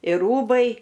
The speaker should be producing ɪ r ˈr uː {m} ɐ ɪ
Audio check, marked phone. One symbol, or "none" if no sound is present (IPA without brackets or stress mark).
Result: b